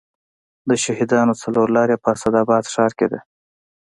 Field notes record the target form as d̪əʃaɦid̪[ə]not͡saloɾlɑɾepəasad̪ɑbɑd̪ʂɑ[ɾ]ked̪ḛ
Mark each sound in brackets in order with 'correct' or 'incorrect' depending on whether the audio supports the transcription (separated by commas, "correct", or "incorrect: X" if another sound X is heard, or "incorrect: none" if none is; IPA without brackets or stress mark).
incorrect: ɑ, correct